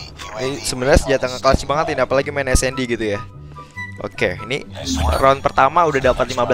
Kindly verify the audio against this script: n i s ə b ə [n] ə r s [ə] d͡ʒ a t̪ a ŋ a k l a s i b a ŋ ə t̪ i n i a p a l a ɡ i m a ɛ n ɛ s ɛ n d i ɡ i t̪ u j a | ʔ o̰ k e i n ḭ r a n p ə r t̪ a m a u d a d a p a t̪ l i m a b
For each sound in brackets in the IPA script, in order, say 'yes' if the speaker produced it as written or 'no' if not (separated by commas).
yes, yes